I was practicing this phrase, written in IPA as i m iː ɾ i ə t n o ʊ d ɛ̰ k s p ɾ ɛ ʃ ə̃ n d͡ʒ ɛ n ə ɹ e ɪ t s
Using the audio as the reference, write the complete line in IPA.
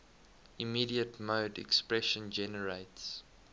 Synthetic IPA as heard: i m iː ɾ i ə t m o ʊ d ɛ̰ k s p ɹ ɛ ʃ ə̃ n d͡ʒ ɛ n ə ɹ e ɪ t s